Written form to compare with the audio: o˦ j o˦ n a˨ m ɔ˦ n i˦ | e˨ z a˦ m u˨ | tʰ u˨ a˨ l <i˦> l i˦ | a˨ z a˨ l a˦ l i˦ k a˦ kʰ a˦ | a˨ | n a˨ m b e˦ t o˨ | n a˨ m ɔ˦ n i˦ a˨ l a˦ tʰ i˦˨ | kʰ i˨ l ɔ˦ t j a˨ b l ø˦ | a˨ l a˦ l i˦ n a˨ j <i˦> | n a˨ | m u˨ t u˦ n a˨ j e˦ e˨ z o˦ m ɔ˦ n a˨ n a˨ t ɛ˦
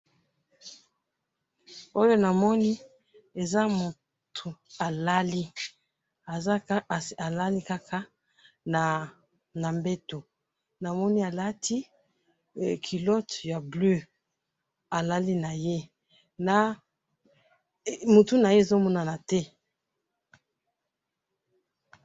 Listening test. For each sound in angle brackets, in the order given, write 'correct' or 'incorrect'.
incorrect: a˦, incorrect: e˦

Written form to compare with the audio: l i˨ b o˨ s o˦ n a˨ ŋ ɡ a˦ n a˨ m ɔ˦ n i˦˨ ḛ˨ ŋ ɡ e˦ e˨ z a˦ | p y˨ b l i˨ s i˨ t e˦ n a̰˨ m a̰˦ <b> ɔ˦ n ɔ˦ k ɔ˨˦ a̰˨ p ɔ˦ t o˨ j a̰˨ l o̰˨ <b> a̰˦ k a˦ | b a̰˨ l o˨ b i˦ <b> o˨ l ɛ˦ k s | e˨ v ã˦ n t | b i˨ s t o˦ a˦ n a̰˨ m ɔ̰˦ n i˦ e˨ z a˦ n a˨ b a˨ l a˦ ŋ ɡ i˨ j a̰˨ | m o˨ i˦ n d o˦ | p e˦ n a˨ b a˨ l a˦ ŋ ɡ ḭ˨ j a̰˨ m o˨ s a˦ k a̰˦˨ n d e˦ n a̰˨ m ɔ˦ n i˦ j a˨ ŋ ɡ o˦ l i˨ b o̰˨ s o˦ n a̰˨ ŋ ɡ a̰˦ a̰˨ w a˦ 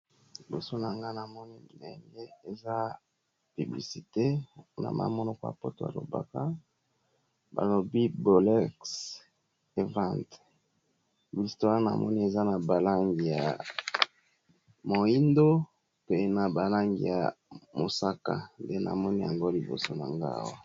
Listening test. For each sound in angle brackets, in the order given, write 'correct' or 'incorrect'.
incorrect: m, correct, correct

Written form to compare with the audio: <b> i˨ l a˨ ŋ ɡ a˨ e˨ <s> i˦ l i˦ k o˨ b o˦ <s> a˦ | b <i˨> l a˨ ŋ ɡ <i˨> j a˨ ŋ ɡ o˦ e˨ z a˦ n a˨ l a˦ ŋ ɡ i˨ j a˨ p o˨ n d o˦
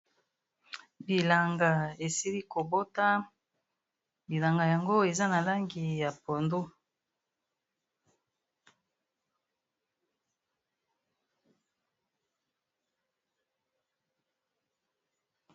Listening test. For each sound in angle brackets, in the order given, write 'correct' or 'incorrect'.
correct, correct, incorrect: t, correct, incorrect: a˨

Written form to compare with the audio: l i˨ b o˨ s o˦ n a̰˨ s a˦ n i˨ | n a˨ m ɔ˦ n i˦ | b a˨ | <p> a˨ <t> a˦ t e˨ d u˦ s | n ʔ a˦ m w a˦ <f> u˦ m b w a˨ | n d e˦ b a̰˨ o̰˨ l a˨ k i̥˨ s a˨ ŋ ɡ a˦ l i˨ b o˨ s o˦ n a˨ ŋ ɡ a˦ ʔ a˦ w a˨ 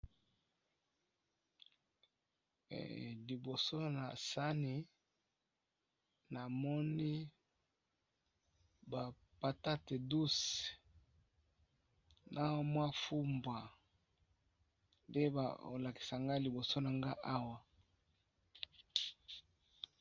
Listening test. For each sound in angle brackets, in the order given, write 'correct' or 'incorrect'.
correct, correct, correct

